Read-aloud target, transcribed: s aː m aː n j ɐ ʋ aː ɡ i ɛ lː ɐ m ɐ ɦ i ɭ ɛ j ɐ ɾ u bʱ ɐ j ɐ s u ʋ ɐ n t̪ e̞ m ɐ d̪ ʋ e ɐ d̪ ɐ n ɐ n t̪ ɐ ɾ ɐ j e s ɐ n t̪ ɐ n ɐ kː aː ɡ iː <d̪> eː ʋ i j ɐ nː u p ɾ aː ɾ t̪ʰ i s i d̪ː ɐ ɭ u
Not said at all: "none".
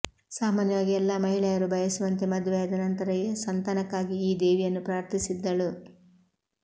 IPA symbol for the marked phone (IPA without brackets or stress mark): d̪